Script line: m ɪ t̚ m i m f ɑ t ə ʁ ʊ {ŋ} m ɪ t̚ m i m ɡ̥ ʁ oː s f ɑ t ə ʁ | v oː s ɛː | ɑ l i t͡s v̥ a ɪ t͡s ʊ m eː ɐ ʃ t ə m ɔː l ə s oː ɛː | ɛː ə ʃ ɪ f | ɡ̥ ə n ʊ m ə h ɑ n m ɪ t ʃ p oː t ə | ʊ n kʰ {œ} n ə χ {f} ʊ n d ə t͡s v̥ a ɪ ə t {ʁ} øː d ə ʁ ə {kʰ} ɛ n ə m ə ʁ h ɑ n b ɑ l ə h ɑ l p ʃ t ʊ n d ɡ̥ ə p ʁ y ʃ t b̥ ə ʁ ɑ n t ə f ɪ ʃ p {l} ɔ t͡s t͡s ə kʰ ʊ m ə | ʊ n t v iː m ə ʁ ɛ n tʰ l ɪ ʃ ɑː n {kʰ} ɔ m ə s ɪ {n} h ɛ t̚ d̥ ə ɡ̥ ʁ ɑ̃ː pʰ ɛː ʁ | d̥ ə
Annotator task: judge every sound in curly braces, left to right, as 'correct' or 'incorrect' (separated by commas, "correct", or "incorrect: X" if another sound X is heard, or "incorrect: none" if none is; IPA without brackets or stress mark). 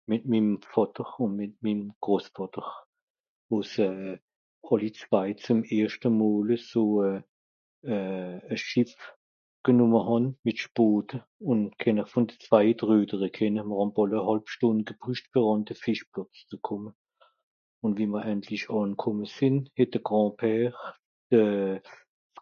incorrect: n, incorrect: ɛ, correct, correct, correct, correct, correct, correct